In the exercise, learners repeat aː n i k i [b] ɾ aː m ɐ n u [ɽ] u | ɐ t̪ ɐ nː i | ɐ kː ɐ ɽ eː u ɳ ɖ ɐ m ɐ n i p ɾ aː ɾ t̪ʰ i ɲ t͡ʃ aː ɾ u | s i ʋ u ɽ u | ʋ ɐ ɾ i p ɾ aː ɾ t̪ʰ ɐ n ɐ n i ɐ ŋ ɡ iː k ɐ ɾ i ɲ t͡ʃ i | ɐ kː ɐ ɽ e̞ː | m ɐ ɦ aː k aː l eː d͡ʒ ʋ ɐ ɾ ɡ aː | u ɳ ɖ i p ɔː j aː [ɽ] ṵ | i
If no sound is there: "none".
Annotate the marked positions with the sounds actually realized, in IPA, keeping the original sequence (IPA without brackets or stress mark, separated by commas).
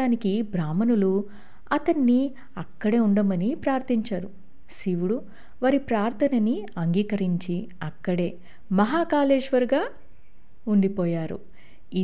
b, l, ɾ